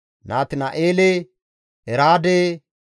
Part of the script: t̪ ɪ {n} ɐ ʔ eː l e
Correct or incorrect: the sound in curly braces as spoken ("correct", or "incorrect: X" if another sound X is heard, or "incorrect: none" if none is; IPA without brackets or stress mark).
correct